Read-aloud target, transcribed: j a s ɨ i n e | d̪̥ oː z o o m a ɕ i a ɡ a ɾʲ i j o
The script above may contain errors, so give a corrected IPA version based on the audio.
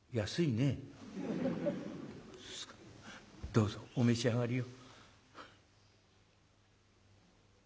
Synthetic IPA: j a s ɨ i n e | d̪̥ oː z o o m e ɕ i a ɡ a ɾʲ i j o